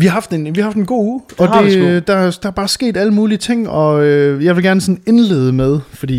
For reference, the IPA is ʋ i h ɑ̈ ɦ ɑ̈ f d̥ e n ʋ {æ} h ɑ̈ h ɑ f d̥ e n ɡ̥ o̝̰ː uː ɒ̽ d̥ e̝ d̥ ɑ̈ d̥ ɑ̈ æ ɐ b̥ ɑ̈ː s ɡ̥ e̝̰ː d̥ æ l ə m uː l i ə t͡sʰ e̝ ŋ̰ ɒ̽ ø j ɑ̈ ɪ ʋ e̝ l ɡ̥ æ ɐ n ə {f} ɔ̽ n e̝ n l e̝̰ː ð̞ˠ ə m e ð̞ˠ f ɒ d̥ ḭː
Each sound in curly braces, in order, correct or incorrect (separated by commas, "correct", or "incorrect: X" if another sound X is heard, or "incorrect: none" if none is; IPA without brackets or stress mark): incorrect: i, incorrect: s